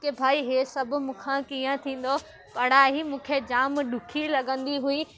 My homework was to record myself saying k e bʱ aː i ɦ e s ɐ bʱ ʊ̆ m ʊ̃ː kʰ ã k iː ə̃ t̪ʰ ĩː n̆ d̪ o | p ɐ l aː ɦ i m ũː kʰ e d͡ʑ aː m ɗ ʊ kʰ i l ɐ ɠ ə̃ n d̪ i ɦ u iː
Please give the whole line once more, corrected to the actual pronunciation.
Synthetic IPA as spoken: k e bʱ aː i ɦ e s ɐ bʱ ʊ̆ m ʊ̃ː kʰ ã k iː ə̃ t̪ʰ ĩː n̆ d̪ o | p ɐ ɽ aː ɦ i m ũː kʰ e d͡ʑ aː m ɗ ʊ kʰ i l ɐ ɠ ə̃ n d̪ i ɦ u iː